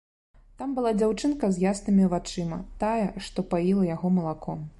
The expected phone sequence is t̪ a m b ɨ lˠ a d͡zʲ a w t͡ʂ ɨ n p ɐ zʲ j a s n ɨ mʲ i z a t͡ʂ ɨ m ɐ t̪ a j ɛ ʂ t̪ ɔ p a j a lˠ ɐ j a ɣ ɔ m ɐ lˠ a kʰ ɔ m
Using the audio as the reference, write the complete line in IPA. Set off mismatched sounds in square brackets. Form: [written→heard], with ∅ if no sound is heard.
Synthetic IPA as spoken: t̪ a m b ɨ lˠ a d͡zʲ a w t͡ʂ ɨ n [p→k] ɐ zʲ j a s n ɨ mʲ i [z→v] a t͡ʂ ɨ m ɐ t̪ a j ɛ ʂ t̪ ɔ p a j [a→i] lˠ ɐ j a ɣ ɔ m ɐ lˠ a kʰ ɔ m